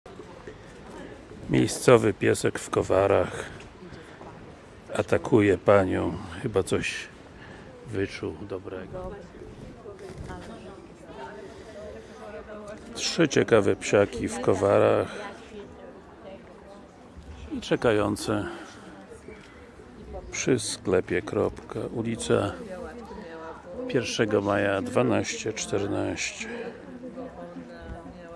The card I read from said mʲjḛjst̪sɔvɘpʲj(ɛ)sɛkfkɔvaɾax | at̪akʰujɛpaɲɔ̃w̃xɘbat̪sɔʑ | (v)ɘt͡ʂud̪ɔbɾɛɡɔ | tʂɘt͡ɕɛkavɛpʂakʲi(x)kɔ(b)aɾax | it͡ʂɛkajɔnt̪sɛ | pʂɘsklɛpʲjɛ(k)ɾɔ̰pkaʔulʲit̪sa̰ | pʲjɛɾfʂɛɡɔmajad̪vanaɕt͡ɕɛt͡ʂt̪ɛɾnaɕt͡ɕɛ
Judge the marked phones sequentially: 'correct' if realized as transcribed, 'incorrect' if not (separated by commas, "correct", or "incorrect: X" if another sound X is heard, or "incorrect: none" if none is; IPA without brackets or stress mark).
correct, correct, incorrect: f, incorrect: v, correct